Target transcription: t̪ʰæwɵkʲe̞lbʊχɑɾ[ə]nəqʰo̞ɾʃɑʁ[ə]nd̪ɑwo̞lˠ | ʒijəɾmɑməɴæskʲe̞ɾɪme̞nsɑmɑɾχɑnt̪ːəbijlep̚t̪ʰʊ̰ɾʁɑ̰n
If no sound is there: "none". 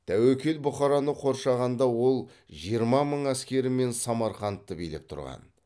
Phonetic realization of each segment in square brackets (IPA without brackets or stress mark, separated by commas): ɑ, ɑ